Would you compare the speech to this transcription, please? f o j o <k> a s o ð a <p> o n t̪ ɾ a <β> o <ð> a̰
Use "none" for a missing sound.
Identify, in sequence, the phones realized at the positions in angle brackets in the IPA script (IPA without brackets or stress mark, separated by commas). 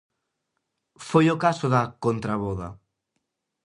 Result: k, k, β, ð